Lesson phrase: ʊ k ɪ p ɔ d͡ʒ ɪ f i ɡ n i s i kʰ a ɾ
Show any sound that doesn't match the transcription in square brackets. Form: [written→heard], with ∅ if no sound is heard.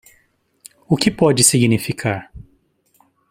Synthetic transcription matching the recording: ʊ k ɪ p ɔ d͡ʒ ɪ [f→s] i ɡ n i [s→f] i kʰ a ɾ